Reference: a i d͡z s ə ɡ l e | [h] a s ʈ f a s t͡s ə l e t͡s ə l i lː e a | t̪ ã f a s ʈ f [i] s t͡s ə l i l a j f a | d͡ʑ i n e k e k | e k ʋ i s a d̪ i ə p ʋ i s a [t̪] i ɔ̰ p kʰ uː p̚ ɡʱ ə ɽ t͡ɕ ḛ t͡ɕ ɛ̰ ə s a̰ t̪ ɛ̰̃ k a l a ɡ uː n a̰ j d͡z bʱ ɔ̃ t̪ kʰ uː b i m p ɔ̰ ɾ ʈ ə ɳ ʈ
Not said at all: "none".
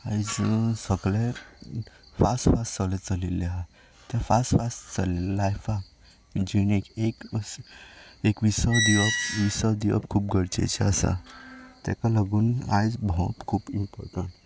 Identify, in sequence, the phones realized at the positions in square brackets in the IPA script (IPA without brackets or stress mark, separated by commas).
f, a, d̪